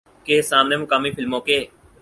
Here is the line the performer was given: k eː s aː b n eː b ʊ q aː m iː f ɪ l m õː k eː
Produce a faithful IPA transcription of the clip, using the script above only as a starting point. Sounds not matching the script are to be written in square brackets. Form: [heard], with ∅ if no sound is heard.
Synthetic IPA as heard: k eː s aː [m] n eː [m] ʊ [k] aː m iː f ɪ l m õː k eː